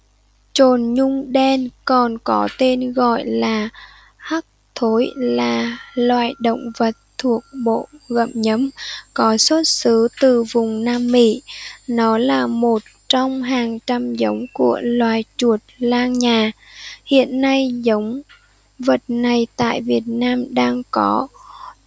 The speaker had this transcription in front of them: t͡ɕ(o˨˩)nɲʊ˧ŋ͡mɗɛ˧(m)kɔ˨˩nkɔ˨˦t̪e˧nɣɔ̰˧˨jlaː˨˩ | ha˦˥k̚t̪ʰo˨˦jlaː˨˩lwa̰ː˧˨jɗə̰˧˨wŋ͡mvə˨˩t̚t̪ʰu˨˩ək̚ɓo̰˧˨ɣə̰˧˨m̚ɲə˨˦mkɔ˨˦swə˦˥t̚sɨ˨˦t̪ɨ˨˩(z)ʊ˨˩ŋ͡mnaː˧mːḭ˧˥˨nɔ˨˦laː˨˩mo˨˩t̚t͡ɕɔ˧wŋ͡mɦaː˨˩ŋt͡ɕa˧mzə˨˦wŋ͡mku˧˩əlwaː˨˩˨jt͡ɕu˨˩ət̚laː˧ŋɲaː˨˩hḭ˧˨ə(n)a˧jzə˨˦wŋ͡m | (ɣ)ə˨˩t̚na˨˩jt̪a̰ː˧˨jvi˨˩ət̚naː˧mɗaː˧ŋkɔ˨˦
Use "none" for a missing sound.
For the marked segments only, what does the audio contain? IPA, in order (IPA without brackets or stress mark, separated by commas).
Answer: o˨˩, n, v, nː, v